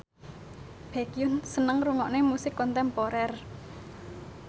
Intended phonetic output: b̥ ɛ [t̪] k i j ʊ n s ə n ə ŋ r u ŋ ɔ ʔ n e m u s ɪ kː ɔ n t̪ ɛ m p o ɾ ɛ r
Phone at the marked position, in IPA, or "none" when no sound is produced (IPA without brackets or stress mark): none